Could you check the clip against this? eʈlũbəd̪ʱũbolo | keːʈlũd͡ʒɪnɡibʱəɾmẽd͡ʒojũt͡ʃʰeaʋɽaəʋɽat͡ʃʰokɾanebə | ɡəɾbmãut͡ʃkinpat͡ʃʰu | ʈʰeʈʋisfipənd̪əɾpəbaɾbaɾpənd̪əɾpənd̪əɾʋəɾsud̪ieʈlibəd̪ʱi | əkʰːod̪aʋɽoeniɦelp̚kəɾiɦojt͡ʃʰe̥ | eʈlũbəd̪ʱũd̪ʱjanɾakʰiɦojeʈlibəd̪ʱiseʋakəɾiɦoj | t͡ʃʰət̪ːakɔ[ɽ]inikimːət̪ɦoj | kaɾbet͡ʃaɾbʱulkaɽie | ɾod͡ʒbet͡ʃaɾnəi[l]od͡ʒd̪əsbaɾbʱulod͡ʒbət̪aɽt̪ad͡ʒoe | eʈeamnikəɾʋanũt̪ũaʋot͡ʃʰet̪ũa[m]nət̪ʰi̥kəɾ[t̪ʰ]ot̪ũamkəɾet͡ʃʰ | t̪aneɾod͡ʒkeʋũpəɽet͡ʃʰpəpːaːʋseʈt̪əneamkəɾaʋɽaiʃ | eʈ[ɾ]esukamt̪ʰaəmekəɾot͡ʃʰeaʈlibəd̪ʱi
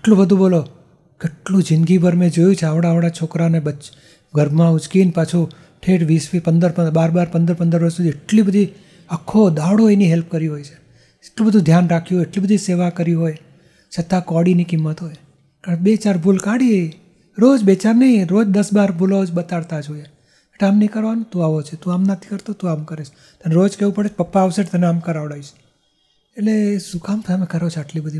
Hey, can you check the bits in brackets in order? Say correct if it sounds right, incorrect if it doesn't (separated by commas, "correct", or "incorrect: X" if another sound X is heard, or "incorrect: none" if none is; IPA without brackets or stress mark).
correct, incorrect: ɾ, correct, incorrect: t̪, incorrect: l